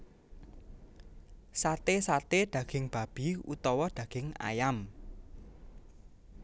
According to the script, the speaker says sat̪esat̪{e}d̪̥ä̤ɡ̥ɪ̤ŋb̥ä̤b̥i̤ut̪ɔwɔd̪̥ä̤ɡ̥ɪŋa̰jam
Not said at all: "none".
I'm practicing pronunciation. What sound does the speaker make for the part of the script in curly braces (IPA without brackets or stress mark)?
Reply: e